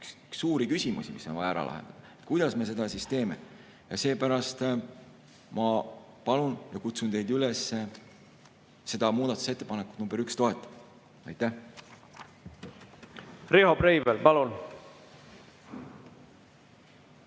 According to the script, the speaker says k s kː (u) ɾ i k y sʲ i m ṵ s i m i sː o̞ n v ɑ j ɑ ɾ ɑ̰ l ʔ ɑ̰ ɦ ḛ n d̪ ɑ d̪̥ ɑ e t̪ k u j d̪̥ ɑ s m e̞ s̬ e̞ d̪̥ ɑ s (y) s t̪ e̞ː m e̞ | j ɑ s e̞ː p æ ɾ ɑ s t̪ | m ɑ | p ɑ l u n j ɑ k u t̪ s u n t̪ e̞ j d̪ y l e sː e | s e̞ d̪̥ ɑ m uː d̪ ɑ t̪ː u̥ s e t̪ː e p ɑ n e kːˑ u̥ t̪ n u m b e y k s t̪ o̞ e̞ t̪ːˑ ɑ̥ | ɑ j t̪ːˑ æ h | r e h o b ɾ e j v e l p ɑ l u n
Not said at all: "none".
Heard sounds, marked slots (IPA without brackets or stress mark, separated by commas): uː, i